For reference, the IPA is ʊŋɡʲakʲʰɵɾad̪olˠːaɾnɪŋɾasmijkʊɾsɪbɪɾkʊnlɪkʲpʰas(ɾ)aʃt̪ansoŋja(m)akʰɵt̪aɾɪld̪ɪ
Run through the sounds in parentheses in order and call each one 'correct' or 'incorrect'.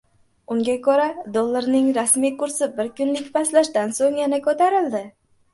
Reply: incorrect: l, incorrect: n

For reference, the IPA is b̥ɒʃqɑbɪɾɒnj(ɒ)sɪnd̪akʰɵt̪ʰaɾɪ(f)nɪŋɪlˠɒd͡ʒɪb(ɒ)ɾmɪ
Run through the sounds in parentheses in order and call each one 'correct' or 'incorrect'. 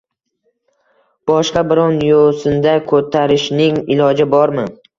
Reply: incorrect: o, incorrect: ʃ, correct

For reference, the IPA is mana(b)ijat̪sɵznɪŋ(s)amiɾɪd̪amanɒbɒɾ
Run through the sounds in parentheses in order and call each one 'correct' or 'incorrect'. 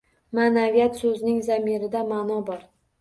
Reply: incorrect: v, incorrect: z

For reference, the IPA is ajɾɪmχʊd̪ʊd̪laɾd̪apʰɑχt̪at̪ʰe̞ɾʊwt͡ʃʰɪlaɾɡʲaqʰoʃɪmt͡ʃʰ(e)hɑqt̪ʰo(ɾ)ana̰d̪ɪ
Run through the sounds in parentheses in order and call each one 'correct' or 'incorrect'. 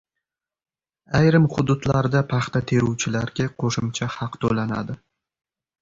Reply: incorrect: a, incorrect: l

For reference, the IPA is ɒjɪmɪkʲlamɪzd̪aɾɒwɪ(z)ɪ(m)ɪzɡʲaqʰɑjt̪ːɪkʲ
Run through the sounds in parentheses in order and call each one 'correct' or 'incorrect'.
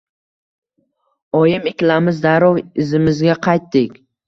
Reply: correct, correct

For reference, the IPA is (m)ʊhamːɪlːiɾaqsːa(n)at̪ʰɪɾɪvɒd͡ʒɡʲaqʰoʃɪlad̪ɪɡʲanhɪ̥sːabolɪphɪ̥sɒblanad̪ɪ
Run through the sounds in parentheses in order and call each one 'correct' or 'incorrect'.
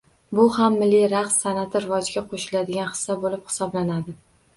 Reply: incorrect: b, correct

